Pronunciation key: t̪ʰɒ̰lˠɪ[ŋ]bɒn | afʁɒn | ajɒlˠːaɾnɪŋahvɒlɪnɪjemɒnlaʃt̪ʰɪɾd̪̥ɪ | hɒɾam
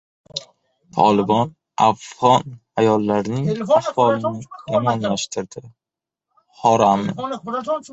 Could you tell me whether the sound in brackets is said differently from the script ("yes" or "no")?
yes